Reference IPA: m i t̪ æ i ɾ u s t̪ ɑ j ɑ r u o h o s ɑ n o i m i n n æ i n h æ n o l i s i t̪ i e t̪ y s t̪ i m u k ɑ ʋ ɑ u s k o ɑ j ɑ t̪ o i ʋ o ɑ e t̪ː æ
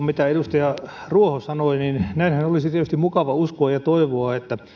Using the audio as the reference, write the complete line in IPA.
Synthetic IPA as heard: m i t̪ æ e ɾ u s t̪ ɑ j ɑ r u o h o s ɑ n o i n i n n æ i n h æ n o l i s i t̪ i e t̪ y s t̪ i m u k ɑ ʋ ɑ u s k o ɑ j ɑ t̪ o i ʋ o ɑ e t̪ː æ